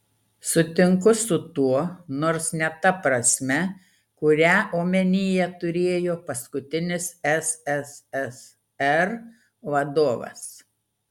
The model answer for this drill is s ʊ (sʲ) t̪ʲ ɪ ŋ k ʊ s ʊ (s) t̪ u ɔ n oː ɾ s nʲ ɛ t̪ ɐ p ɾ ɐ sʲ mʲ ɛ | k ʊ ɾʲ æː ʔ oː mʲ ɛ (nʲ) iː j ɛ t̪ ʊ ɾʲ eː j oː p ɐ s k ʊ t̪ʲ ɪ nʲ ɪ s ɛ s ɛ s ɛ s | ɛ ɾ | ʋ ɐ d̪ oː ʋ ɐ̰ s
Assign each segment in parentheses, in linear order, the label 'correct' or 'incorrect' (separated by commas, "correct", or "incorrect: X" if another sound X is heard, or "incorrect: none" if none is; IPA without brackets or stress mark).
incorrect: none, incorrect: none, correct